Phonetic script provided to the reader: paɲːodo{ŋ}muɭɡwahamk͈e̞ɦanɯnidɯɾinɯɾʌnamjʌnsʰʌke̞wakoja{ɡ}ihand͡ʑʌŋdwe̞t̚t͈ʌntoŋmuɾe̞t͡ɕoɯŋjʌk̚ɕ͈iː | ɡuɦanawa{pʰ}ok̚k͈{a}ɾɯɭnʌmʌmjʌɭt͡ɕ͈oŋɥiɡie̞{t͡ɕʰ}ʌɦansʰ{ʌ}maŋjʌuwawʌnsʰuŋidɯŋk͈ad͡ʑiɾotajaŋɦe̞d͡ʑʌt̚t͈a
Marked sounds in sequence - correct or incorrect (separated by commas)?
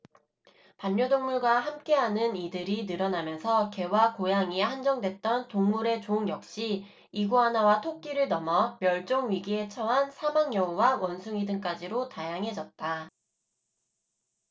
correct, incorrect, incorrect, incorrect, correct, incorrect